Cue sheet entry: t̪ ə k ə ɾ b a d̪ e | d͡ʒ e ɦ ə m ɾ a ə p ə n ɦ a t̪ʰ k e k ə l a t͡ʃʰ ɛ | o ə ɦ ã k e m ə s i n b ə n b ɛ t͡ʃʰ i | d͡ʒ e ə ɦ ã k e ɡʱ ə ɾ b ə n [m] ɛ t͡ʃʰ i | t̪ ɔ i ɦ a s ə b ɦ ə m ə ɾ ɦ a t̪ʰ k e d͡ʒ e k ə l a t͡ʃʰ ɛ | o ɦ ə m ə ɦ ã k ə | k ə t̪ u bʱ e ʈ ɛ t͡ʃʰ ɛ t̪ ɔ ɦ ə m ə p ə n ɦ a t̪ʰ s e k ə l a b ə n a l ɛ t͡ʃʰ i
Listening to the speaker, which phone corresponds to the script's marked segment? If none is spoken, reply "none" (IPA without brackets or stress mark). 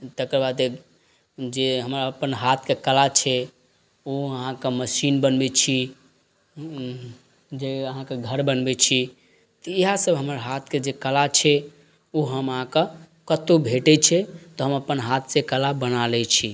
b